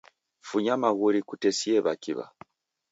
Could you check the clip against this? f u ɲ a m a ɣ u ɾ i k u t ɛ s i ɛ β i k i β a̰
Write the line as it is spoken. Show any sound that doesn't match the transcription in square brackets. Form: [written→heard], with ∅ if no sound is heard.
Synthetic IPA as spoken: f u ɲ a m a ɣ u ɾ i k u t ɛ s i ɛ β [i→a] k i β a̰